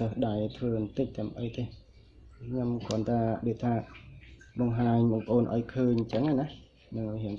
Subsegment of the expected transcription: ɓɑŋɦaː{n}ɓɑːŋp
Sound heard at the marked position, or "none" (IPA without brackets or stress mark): ɲ